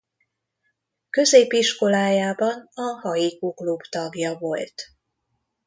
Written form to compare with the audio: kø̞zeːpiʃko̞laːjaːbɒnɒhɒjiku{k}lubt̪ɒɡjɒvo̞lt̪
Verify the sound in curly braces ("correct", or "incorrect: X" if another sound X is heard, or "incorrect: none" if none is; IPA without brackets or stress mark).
correct